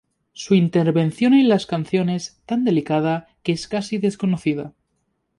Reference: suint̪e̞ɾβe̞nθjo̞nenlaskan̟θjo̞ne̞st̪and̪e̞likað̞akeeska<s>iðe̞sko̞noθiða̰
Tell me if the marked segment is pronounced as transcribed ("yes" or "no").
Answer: yes